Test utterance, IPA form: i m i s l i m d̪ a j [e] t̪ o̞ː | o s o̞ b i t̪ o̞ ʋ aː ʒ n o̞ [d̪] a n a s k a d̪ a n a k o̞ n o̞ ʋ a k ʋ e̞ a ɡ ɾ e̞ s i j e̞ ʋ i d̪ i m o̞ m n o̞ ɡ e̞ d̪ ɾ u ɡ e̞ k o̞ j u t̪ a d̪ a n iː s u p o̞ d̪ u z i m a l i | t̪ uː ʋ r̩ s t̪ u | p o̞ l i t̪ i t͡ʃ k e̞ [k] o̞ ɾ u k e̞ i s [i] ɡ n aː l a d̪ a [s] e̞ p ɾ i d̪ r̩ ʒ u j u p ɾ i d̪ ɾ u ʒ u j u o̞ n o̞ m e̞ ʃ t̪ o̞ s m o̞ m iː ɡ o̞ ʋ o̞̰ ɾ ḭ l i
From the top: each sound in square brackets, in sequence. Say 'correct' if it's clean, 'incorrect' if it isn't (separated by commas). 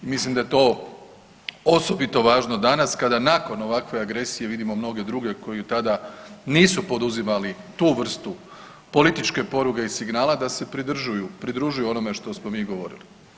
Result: correct, correct, incorrect, correct, correct